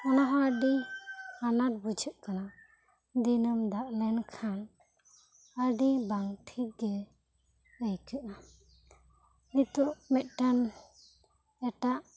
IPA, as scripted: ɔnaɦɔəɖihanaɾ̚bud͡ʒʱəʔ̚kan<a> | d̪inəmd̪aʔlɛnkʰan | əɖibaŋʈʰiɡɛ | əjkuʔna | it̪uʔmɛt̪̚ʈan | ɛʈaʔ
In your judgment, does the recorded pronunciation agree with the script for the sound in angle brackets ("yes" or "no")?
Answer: yes